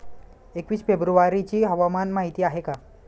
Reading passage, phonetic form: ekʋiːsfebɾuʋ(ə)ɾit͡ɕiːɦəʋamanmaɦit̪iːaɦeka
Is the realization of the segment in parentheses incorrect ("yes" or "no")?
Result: yes